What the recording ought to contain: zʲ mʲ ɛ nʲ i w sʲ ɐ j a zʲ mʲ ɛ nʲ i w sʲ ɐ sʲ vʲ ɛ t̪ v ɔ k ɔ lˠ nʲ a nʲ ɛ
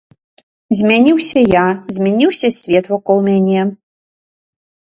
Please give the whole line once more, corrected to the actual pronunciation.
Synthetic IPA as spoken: zʲ mʲ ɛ nʲ i w sʲ ɐ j a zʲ mʲ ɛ nʲ i w sʲ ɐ sʲ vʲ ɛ t̪ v ɔ k ɔ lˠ mʲ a nʲ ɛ